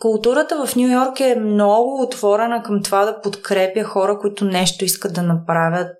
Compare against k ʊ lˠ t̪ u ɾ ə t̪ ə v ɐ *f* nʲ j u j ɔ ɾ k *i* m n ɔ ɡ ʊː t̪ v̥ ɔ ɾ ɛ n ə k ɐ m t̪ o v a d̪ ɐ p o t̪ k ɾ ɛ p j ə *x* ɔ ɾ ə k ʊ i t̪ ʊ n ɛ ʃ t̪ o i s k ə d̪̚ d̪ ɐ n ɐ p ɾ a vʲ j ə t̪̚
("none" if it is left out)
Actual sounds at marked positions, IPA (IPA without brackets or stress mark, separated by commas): f, ɛ, x